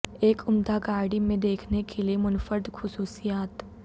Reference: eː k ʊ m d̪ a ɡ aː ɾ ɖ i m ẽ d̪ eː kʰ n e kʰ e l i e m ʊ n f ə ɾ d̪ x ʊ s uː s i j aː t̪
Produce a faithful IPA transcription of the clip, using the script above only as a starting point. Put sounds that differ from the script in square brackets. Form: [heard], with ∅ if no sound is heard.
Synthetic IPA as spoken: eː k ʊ m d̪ a ɡ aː ɾ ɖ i m ẽ d̪ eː kʰ n e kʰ e l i e m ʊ n f ə ɾ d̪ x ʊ s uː s i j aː t̪